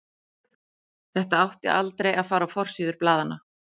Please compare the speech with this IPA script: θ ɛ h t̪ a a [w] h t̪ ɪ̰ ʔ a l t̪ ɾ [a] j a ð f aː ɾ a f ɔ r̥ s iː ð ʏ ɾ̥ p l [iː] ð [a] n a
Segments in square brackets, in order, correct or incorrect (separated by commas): correct, incorrect, incorrect, correct